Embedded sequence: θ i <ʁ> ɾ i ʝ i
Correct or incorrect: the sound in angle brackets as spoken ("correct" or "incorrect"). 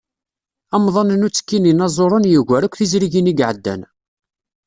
incorrect